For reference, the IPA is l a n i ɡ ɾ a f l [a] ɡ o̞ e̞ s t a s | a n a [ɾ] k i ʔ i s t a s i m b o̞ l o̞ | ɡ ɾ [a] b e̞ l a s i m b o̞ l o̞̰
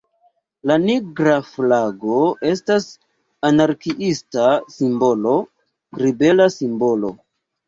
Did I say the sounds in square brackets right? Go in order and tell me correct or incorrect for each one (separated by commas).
correct, correct, incorrect